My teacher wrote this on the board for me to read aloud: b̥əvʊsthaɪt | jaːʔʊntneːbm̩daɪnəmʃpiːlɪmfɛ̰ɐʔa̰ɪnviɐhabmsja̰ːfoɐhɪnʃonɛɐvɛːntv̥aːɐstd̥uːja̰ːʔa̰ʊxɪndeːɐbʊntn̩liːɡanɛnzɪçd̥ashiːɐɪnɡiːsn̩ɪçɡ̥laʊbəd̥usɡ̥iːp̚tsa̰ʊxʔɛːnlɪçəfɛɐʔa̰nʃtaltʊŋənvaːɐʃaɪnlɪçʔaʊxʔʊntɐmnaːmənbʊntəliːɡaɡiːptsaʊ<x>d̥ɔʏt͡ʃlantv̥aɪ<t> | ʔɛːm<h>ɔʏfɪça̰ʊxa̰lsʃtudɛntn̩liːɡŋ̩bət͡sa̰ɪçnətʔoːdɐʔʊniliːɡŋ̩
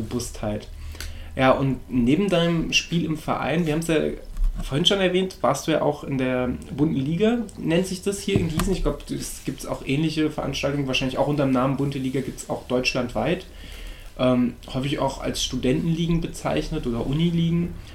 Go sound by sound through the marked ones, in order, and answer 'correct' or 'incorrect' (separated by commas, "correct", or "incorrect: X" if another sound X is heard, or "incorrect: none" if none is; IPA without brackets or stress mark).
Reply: correct, correct, correct